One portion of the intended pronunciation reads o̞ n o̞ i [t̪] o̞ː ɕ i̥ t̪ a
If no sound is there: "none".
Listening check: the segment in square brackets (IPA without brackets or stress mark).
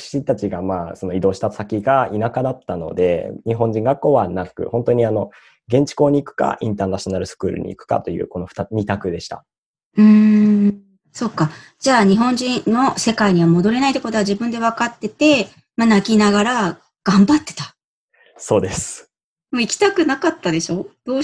d̪